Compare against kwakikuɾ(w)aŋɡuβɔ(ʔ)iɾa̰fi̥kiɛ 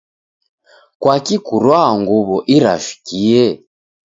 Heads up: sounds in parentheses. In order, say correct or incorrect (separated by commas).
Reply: correct, correct